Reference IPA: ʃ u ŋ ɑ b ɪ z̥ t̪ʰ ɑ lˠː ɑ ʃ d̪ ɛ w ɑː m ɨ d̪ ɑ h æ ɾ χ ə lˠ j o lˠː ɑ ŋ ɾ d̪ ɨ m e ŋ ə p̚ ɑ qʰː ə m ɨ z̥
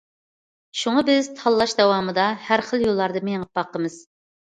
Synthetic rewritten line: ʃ u ŋ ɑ b ɪ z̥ t̪ʰ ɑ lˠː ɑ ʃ d̪ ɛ w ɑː m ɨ d̪ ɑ h æ ɾ χ ə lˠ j o lˠː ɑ ɾ d̪ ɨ m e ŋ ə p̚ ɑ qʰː ə m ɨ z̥